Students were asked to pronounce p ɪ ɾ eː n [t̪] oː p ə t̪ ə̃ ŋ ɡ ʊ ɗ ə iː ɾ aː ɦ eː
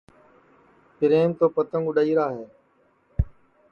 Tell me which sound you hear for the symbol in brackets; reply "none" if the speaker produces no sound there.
t̪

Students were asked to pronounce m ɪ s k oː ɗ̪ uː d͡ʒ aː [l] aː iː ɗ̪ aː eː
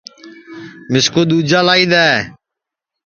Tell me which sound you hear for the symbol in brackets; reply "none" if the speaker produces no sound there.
l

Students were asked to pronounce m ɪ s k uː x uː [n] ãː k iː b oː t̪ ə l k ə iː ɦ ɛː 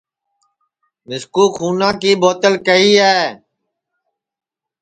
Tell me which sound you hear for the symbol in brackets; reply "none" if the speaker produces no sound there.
n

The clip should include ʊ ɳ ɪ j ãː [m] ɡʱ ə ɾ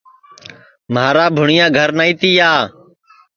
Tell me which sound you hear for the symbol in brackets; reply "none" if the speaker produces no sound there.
none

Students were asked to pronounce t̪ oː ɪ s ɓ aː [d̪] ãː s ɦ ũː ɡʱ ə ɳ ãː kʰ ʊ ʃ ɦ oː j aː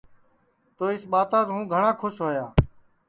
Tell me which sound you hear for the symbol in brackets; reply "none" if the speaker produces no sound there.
t̪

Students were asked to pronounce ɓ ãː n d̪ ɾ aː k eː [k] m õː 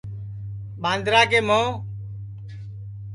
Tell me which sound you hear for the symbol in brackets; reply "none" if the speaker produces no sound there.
none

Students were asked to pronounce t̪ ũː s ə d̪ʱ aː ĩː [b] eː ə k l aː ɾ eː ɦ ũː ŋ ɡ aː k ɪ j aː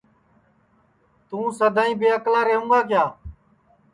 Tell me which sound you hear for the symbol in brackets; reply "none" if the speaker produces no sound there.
b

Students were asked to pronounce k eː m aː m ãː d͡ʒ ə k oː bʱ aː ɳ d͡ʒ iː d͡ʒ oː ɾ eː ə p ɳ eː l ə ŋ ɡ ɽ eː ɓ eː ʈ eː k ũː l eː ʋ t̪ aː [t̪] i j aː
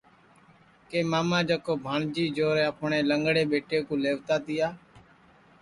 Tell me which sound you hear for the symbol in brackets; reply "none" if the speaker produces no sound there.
t̪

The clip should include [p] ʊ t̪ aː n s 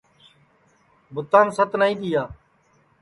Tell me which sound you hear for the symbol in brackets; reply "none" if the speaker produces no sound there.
b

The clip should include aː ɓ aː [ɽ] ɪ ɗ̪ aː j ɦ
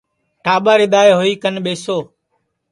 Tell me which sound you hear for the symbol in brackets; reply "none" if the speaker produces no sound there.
ɾ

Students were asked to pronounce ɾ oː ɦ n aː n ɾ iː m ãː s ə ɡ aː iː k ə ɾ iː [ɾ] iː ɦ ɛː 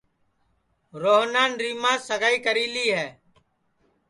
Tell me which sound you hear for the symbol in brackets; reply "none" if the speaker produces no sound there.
l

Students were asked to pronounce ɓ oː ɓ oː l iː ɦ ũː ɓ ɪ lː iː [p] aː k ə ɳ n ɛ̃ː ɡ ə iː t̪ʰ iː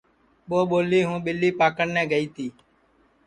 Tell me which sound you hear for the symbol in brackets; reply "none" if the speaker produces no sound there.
p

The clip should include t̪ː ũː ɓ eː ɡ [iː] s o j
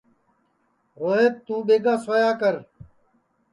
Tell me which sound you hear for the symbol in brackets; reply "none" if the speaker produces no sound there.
aː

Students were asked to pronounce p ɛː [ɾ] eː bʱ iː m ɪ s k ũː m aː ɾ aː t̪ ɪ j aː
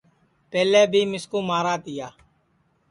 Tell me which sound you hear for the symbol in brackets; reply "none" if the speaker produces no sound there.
l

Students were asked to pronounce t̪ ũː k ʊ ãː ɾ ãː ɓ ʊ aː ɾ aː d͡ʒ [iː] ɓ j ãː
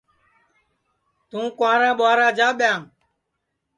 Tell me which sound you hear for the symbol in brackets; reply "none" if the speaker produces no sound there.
aː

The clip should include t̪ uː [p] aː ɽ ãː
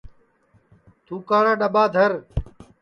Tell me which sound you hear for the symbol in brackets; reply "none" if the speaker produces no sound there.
k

